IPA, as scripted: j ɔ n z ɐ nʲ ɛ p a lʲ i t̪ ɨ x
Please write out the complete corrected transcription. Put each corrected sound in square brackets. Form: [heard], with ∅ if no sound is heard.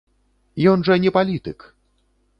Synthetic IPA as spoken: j ɔ n [ʐ] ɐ nʲ ɛ p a lʲ i t̪ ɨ [k]